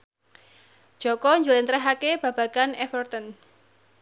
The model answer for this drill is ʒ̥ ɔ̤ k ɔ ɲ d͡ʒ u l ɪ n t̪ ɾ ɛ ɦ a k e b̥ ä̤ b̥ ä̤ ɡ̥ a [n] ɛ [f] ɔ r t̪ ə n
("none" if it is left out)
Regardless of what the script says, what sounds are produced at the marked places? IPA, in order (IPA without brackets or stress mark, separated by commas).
n, f